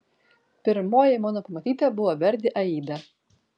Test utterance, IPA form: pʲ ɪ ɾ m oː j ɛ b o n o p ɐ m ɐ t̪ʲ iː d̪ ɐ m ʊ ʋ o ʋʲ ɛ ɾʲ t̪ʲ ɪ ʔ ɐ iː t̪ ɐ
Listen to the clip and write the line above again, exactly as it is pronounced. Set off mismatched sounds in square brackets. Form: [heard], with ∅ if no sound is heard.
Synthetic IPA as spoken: pʲ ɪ ɾ m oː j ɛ [m] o n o p ɐ m ɐ t̪ʲ iː [t̪] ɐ [b] ʊ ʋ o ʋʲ ɛ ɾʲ [d̪ʲ] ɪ ʔ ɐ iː [d̪] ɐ